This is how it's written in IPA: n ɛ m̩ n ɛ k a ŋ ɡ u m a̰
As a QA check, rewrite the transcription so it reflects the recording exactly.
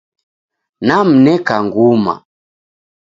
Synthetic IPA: n a m̩ n ɛ k a ŋ ɡ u m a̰